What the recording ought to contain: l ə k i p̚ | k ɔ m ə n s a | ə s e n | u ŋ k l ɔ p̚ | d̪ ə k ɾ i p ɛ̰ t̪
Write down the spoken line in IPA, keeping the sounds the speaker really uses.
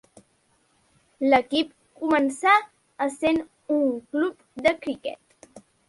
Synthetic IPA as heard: l ə k i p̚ | k u m ə n s a | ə s e n | u ŋ k l u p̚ | d̪ ə k ɾ i k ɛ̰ t̪